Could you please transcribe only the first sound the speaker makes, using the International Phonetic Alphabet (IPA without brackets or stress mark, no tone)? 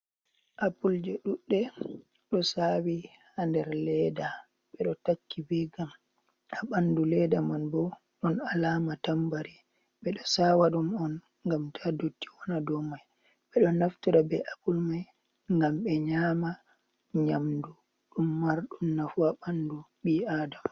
ʔ